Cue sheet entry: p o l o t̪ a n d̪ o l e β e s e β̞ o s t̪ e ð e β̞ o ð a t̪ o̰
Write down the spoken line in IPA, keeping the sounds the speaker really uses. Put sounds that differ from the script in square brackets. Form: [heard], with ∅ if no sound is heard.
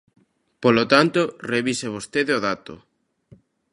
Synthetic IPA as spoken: p o l o t̪ a n [t̪] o [r] e β [i] s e β̞ o s t̪ e ð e [∅] o ð a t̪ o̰